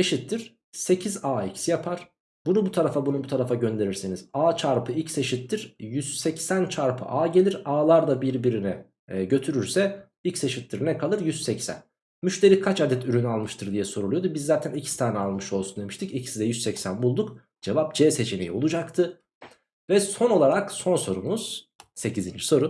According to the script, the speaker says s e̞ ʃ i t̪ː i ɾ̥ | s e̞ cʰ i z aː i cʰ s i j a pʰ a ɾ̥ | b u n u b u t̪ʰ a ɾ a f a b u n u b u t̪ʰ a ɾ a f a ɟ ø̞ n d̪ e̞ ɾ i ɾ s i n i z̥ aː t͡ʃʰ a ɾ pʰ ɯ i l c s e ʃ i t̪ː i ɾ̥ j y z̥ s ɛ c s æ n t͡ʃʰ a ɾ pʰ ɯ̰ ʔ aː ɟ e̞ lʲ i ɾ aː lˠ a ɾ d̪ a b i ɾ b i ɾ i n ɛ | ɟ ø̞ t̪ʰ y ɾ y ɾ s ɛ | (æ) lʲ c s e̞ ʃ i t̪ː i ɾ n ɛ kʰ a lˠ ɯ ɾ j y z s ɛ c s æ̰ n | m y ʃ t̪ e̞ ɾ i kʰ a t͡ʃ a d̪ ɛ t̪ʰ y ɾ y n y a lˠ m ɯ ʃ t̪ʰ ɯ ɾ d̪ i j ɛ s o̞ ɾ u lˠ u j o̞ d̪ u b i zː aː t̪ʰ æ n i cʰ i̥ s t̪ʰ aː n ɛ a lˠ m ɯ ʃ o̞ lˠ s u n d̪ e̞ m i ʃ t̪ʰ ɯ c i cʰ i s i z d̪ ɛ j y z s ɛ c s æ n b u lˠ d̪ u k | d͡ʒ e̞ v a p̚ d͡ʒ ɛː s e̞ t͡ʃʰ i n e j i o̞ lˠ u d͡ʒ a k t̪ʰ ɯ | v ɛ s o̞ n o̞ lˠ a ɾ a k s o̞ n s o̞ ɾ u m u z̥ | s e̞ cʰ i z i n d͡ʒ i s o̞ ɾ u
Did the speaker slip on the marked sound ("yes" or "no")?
yes